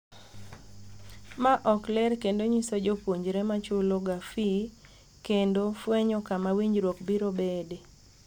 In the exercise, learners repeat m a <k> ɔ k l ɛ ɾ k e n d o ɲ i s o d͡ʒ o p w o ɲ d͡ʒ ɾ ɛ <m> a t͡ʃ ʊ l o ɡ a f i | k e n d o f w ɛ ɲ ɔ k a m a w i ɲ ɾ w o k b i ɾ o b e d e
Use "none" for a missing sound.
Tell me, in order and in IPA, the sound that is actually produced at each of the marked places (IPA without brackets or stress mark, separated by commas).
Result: ʔ, m